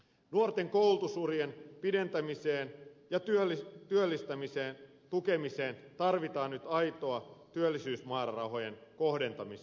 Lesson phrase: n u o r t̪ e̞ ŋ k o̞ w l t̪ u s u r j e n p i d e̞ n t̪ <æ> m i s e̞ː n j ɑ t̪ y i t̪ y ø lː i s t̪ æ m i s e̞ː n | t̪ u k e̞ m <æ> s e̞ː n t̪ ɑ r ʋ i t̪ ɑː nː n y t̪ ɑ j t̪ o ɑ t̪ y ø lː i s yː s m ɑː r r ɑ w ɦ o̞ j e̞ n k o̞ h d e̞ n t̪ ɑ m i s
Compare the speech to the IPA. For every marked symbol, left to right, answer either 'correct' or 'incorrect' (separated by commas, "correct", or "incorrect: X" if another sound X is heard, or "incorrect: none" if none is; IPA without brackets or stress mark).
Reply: correct, incorrect: i